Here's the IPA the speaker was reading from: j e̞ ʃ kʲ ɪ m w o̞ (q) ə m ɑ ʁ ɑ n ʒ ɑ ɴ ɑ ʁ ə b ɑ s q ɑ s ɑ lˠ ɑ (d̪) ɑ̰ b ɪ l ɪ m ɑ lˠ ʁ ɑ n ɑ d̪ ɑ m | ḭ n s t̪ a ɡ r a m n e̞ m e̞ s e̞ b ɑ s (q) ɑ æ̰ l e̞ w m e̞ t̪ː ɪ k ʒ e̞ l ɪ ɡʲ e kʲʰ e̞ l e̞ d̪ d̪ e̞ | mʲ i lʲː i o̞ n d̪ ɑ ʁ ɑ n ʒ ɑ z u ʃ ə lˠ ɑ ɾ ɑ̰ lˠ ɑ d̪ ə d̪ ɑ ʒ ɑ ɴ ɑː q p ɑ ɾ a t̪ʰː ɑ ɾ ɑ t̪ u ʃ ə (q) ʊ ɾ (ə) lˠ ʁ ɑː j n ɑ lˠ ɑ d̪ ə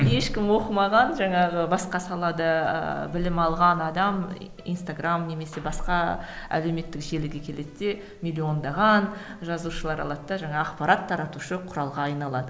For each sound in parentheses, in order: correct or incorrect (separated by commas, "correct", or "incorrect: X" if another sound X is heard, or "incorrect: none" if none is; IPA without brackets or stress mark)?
correct, correct, correct, incorrect: qʰ, incorrect: ɑ